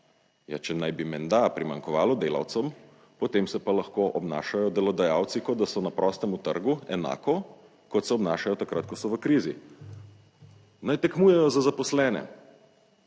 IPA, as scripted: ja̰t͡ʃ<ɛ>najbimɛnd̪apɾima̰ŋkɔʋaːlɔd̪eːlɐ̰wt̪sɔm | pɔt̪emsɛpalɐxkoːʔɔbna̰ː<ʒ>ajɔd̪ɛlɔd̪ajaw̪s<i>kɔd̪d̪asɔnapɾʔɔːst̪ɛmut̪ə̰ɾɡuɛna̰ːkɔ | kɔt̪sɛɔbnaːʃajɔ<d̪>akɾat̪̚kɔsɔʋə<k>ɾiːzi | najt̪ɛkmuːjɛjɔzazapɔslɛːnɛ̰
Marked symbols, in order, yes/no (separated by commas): yes, no, yes, no, yes